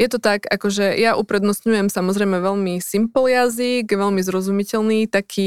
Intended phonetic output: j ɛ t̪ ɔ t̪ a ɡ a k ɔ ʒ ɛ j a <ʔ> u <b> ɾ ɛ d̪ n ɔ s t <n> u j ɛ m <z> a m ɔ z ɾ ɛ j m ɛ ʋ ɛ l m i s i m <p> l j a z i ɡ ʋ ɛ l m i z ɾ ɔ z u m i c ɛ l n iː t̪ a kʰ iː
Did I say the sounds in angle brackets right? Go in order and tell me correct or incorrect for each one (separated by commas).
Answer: correct, incorrect, incorrect, incorrect, correct